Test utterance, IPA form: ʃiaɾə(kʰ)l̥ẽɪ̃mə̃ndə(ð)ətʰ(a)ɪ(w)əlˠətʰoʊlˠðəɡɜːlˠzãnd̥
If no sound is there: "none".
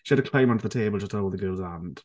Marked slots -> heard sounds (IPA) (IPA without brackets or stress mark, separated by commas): kʰ, ð, e, b